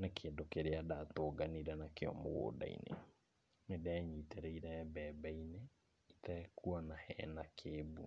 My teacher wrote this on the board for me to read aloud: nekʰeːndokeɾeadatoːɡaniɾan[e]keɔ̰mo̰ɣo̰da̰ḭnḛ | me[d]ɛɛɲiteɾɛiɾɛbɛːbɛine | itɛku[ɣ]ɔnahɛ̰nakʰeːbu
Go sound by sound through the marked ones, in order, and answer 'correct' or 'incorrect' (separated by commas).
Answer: incorrect, correct, incorrect